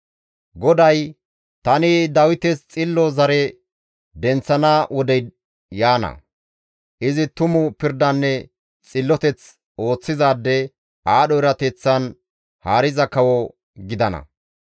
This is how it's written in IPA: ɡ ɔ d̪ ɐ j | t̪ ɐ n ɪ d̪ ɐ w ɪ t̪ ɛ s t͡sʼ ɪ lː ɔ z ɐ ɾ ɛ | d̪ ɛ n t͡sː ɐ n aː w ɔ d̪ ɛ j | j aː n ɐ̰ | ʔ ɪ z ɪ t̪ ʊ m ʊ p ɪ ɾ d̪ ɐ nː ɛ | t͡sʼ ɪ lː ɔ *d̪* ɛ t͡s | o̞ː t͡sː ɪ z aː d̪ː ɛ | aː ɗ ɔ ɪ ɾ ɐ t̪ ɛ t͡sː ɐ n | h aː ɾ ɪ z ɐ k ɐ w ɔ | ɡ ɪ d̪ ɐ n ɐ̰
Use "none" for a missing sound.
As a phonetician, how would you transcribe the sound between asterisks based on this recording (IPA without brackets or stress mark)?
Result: t̪